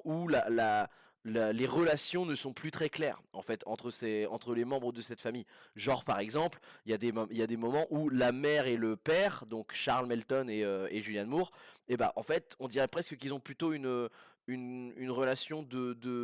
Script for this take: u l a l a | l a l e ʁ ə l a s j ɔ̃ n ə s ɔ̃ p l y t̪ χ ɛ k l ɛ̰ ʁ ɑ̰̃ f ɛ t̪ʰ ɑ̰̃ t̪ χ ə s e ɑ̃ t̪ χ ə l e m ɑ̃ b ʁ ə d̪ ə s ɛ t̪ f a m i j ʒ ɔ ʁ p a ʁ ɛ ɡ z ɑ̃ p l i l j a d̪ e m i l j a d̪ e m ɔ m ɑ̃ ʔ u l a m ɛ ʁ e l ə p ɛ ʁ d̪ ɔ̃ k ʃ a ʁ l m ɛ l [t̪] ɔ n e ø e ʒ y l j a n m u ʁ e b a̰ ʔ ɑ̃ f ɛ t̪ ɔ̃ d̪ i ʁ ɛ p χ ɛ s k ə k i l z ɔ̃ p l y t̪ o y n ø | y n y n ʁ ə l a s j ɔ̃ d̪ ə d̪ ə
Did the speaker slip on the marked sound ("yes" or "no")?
no